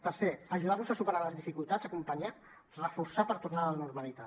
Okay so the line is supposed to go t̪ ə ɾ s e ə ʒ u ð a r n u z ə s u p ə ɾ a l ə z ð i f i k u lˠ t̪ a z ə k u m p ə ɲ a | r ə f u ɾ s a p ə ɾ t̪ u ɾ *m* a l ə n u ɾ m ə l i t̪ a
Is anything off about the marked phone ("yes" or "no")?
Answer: yes